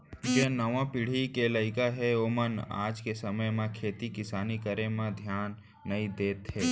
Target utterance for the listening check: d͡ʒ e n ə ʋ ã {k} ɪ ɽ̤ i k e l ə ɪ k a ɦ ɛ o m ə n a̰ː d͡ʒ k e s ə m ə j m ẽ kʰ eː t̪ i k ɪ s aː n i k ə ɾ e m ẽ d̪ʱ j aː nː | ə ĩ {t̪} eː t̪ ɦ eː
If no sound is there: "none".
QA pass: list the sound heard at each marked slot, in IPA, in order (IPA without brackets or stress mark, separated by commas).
p, d̪